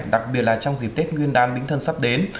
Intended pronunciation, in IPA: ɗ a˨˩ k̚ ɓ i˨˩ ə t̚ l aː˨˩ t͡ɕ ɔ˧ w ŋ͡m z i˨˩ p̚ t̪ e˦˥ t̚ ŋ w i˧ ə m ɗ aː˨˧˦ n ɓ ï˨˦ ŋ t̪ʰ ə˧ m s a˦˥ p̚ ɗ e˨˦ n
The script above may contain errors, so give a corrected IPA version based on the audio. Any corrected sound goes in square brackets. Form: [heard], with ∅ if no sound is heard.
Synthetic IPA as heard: ɗ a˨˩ k̚ ɓ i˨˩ ə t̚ l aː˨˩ t͡ɕ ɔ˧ w ŋ͡m z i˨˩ p̚ t̪ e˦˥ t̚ ŋ w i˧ ə [n] ɗ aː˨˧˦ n ɓ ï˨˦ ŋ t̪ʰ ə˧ [n] s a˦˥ p̚ ɗ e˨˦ n